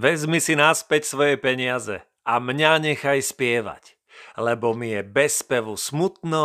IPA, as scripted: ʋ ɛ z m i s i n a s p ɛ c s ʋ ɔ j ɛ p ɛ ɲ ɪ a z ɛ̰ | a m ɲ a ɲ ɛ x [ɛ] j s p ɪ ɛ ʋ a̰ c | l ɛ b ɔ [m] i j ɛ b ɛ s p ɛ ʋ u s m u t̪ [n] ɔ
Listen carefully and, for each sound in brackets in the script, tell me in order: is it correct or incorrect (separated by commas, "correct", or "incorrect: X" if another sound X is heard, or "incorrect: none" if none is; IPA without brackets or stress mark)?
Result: incorrect: a, correct, correct